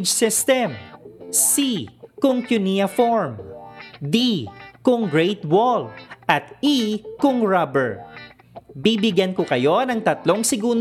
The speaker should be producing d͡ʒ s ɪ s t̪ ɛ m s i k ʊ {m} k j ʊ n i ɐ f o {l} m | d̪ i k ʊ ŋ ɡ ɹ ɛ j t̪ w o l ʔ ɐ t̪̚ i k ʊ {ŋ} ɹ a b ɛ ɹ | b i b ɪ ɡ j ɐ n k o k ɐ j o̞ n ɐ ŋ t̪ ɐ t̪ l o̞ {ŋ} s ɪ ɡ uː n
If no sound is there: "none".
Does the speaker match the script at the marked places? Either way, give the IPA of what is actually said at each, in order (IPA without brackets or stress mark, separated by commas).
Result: ŋ, ɹ, ŋ, ŋ